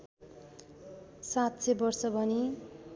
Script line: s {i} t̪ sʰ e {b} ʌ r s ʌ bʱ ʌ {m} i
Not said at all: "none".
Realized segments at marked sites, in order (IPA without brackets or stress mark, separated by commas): a, b, n